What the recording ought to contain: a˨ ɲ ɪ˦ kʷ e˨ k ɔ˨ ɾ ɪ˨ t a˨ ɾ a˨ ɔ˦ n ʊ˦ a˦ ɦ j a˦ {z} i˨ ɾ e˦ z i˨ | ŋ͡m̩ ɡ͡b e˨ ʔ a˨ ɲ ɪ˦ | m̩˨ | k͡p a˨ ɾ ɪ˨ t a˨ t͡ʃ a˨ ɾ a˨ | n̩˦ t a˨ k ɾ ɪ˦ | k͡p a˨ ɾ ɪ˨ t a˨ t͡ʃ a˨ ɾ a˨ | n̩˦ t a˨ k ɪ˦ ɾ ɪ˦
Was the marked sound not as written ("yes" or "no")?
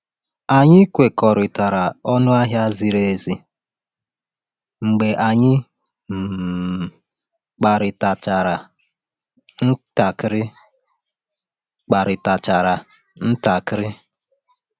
no